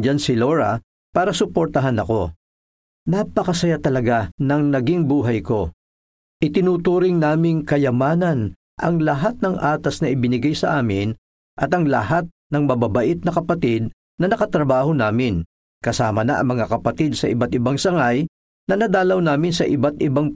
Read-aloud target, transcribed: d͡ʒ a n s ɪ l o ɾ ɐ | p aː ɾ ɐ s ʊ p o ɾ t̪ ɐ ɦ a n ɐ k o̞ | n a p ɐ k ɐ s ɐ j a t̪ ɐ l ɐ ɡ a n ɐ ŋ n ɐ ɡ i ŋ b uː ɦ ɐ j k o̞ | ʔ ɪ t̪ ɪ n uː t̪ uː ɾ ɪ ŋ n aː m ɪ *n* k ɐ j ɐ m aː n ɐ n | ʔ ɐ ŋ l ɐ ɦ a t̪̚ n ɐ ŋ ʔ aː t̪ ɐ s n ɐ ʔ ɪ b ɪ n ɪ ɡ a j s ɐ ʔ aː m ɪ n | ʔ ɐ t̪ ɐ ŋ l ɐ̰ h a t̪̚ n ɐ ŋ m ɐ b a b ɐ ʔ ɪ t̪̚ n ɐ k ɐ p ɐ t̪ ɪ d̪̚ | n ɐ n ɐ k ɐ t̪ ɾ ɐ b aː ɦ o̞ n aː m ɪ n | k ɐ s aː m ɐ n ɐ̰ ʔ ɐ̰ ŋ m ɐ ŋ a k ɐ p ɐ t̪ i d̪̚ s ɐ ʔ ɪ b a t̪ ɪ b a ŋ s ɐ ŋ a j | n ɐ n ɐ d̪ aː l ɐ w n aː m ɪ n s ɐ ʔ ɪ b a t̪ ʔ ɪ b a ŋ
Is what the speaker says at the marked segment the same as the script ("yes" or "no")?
no